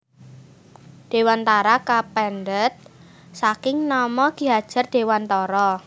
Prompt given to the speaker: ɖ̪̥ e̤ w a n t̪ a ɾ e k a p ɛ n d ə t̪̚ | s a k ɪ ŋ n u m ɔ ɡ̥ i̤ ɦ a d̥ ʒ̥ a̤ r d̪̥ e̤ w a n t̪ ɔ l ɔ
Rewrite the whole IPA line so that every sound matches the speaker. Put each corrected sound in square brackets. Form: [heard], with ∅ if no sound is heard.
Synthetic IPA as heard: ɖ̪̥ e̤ w a n t̪ a ɾ [a] k a p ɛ n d ə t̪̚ | s a k ɪ ŋ n [ɔ] m ɔ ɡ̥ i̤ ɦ a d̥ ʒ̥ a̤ r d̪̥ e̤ w a n t̪ ɔ [ɾ] ɔ

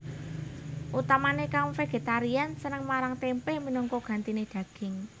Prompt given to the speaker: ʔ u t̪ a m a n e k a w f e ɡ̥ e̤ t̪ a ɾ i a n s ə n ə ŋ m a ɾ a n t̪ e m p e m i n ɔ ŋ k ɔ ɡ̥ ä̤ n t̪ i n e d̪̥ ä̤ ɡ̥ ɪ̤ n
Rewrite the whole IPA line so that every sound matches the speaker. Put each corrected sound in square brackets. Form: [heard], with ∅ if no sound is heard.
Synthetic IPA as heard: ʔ u t̪ a m a n e k a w f e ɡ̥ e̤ t̪ a ɾ i a n s ə n ə ŋ m a ɾ a [ŋ] t̪ e m p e m i n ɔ ŋ k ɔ ɡ̥ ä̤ n t̪ i n e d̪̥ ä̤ ɡ̥ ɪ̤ [ŋ]

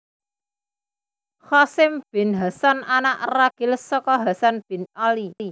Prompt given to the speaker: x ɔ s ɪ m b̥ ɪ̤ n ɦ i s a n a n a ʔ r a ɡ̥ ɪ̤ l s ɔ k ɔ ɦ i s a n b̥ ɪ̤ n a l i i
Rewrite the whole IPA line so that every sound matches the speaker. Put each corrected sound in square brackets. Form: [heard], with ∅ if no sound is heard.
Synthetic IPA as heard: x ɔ s ɪ m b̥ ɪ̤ n ɦ [a] s a n a n a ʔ r a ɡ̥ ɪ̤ l s ɔ k ɔ ɦ [a] s a n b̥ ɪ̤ n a l i i

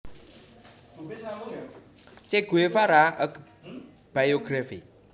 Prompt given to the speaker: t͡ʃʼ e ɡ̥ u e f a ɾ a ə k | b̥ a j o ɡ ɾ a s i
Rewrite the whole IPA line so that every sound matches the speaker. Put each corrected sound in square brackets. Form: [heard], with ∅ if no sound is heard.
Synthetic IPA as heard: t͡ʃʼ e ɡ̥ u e f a ɾ a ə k | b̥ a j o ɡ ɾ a [f] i

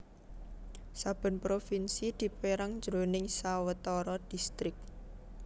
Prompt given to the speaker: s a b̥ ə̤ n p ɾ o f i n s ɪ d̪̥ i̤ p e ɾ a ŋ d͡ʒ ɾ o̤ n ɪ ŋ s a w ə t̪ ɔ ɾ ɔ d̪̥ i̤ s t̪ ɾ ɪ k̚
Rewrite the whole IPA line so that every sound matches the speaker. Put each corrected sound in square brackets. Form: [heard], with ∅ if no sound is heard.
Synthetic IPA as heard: s a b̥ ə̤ n p ɾ o f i n s [i] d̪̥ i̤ p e ɾ a ŋ d͡ʒ ɾ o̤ n ɪ ŋ s a w ə t̪ ɔ ɾ ɔ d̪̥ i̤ s t̪ ɾ ɪ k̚

